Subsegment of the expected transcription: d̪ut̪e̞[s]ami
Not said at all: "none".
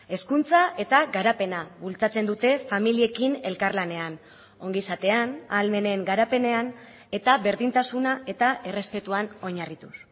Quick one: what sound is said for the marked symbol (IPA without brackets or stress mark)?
f